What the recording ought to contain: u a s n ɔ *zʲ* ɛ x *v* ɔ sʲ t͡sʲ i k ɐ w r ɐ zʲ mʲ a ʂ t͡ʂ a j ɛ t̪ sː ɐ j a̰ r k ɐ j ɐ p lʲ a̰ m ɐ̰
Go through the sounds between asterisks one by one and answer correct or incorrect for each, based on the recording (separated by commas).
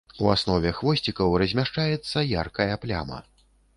incorrect, correct